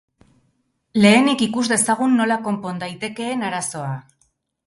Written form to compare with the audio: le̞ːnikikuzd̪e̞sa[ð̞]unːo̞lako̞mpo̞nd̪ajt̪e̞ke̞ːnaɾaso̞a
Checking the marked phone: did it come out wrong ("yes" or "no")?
yes